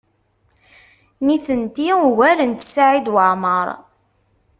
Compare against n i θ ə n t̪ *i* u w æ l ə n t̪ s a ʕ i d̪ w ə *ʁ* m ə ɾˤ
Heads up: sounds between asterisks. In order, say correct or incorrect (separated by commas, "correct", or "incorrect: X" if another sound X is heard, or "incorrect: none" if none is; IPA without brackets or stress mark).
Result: correct, incorrect: ʕ